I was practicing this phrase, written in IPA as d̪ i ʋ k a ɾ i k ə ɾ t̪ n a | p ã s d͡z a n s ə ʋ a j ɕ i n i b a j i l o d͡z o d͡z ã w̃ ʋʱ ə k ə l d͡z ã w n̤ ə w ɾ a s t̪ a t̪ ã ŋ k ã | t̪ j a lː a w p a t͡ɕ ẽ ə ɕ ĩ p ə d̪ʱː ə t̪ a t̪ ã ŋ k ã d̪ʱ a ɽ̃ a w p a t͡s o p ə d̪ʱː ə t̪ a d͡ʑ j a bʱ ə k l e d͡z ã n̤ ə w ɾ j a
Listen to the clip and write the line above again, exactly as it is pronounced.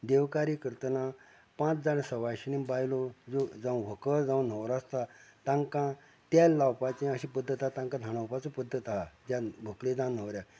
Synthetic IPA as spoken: d̪ e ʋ k a ɾ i k ə ɾ t̪ n a | p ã t͡s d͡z a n s ə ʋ a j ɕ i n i b a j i l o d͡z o d͡z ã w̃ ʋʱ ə k ə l d͡z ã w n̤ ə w ɾ a s t̪ a t̪ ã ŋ k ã | t̪ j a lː a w p a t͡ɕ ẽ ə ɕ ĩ p ə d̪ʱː ə t̪ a t̪ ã ŋ k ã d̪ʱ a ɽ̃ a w p a t͡s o p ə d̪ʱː ə t̪ a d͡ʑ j a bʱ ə k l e d͡z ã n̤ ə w ɾ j a